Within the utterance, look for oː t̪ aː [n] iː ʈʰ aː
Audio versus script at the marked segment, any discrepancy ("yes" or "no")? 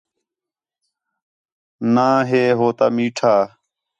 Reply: yes